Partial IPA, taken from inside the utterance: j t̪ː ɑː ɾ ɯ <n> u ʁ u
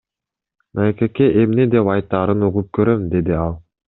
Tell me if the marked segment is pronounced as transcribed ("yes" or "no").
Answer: yes